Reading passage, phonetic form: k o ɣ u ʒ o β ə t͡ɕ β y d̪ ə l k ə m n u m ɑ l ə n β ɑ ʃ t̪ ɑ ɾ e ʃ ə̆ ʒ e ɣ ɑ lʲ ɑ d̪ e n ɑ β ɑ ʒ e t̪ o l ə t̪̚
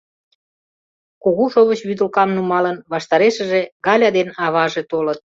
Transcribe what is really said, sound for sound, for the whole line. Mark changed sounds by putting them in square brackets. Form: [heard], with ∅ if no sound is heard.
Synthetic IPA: k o ɣ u [ʃ] o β ə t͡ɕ β y d̪ ə l k [ɑ] m n u m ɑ l ə n β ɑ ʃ t̪ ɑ ɾ e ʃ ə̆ ʒ e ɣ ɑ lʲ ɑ d̪ e n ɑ β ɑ ʒ e t̪ o l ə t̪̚